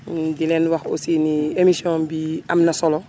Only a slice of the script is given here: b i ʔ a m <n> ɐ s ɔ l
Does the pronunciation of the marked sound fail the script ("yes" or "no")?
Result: no